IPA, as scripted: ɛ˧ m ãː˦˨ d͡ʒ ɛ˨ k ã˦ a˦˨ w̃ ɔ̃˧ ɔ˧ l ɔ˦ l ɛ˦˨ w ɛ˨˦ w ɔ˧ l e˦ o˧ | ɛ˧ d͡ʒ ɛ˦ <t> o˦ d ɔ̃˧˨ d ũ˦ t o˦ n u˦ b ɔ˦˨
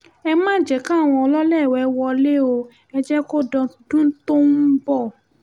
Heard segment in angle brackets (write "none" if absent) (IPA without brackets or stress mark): k